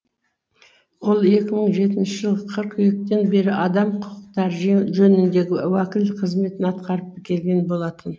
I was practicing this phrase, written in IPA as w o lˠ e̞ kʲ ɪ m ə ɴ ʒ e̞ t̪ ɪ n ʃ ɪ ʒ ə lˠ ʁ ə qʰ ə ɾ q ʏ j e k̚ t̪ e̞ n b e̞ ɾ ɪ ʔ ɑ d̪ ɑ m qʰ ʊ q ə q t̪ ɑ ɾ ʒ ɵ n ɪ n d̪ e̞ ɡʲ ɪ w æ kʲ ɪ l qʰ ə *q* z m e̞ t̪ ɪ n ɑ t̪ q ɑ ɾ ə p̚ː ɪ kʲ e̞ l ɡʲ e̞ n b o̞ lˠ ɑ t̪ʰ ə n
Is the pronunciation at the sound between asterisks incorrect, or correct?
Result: incorrect